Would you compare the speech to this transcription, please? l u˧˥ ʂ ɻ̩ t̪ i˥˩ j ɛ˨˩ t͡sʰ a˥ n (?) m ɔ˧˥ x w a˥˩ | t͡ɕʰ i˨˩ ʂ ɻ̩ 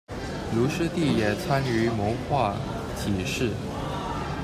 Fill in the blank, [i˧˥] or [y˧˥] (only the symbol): y˧˥